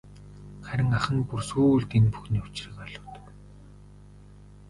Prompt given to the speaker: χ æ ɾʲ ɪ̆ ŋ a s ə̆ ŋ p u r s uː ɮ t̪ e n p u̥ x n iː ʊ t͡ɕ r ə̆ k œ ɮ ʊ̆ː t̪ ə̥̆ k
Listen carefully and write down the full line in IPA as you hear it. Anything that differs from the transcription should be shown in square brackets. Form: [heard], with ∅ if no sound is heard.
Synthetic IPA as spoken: χ æ ɾʲ ɪ̆ ŋ a [χ] ə̆ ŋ p u r s uː ɮ t̪ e n p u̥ x n iː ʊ t͡ɕ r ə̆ k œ ɮ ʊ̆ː t̪ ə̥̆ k